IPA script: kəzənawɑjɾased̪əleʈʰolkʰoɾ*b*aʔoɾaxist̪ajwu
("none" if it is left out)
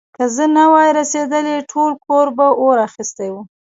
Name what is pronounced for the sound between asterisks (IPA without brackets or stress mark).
b